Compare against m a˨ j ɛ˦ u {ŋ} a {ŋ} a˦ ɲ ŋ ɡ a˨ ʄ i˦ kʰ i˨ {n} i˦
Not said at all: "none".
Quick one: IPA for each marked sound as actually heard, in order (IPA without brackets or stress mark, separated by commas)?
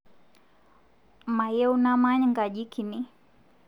n, m, n